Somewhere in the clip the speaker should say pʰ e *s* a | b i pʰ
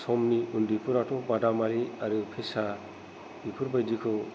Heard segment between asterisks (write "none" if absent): s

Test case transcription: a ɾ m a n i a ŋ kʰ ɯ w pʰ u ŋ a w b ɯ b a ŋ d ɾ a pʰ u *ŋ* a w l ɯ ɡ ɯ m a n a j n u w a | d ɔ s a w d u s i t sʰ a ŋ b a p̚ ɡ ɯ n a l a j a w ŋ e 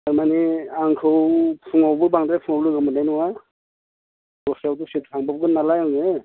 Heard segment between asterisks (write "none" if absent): ŋ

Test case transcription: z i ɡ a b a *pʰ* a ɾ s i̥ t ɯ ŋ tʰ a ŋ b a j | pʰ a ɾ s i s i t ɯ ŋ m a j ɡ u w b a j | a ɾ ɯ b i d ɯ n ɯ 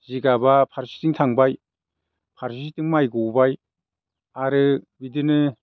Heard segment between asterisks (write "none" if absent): pʰ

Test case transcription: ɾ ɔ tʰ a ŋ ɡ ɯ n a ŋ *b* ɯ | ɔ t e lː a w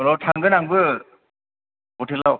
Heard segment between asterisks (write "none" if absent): b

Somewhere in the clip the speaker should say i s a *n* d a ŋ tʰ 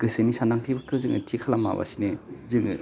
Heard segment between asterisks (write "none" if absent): n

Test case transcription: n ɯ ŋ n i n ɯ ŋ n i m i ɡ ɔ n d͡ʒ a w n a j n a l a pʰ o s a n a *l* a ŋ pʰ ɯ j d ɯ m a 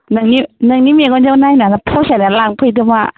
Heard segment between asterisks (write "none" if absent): l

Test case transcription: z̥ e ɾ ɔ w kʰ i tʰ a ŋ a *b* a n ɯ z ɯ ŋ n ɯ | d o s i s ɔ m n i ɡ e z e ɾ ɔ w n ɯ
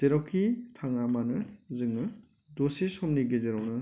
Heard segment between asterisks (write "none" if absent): m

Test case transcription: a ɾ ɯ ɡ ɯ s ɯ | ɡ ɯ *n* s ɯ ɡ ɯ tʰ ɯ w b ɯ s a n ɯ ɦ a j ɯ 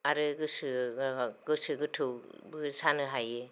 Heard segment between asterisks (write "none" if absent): none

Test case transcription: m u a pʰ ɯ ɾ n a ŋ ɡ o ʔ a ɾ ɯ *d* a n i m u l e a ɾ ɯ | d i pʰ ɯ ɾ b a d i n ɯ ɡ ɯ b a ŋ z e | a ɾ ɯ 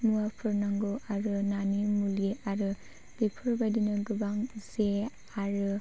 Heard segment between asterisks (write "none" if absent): n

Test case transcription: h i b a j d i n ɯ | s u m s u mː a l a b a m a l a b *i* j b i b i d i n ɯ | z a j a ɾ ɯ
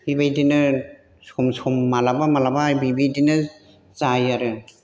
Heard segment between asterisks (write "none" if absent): a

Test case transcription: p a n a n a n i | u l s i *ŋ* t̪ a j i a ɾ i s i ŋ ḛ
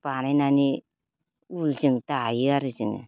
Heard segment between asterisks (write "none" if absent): ŋ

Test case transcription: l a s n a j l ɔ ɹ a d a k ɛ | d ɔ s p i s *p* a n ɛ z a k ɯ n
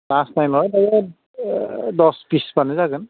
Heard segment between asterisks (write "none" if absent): p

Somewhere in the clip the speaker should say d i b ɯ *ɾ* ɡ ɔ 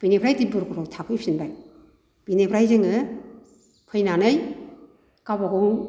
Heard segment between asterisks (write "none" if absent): ɾ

